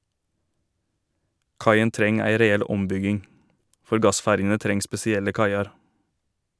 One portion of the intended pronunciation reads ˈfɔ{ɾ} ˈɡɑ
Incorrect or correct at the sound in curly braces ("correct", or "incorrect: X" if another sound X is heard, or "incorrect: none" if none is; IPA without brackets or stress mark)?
correct